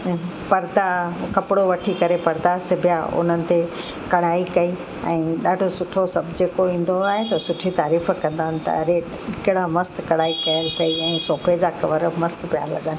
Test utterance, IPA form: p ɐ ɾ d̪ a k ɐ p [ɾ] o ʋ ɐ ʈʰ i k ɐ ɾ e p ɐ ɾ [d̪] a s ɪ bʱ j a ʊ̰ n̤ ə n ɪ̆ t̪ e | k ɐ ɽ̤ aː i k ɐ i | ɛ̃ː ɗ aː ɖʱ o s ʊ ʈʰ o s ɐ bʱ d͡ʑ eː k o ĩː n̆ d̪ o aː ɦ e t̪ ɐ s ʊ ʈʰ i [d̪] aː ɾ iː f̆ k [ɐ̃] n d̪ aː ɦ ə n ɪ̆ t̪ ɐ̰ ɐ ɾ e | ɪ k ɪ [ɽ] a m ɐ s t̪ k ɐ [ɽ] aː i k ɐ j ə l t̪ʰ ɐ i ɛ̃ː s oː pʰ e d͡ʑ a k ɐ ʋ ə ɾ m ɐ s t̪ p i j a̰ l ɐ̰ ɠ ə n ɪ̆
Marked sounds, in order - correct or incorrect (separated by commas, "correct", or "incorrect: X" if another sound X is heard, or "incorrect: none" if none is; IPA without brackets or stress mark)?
incorrect: ɽ, correct, incorrect: t̪, correct, correct, correct